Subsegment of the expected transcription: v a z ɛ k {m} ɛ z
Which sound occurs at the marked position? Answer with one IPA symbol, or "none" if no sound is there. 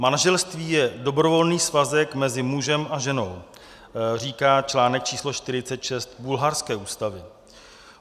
m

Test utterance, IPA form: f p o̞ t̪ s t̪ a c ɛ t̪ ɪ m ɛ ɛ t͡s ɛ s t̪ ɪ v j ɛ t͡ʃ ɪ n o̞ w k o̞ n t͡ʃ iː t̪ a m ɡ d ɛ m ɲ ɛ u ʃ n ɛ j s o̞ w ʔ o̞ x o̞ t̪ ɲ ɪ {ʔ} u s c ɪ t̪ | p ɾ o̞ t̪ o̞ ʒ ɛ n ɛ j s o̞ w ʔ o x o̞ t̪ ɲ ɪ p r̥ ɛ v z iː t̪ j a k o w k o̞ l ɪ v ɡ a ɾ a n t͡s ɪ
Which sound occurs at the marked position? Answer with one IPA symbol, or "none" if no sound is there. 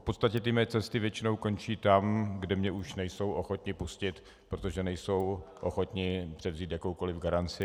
p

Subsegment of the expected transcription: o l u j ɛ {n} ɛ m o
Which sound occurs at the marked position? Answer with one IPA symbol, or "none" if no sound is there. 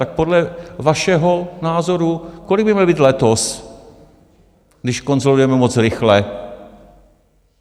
m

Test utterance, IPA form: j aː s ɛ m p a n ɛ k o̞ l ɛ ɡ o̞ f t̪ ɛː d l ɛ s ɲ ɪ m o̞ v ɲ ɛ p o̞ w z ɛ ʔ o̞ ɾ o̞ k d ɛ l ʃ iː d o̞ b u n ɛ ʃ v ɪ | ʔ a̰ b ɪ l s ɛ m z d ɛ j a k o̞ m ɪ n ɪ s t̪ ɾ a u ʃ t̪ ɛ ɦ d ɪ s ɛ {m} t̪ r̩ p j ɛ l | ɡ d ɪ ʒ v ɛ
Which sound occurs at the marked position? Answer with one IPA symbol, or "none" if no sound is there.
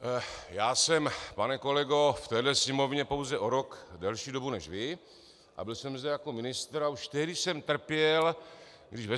m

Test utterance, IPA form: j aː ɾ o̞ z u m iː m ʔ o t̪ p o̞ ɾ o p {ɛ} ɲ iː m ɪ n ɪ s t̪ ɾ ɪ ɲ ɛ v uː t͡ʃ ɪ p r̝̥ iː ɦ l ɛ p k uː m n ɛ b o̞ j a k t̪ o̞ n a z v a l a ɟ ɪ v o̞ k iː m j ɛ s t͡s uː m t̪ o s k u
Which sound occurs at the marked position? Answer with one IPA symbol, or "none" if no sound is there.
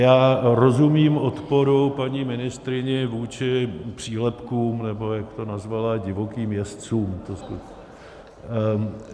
a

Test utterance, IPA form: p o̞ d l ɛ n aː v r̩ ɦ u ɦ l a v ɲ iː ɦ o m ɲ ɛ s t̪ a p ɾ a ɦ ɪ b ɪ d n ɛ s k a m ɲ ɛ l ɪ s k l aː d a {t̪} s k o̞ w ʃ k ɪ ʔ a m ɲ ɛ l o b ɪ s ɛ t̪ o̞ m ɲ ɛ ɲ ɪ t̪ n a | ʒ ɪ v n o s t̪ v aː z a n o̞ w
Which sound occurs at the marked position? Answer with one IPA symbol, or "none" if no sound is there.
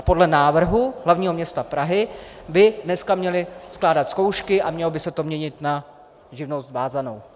t̪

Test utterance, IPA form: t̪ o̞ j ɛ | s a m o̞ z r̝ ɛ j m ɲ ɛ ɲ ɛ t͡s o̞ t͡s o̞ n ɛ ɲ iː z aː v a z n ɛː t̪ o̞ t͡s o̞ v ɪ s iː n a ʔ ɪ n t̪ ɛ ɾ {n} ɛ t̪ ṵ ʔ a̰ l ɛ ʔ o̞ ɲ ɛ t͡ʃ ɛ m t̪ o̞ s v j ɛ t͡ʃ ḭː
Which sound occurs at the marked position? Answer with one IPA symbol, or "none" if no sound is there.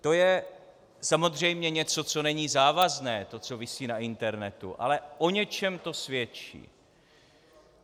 n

